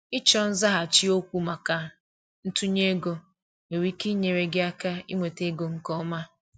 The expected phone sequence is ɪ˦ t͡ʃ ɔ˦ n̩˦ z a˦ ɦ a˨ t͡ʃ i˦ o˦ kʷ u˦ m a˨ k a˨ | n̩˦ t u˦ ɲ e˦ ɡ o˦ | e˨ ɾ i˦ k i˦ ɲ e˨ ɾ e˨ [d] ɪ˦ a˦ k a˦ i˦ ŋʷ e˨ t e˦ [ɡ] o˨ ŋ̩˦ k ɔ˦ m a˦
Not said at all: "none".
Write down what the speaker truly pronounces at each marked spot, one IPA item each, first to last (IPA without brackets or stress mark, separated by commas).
ɡ, ɡ